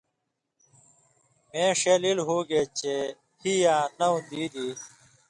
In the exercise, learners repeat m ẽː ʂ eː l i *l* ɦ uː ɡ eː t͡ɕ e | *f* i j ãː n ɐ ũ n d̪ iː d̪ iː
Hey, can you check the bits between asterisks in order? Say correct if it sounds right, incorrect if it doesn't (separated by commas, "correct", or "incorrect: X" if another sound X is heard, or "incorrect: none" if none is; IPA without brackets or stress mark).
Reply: correct, incorrect: h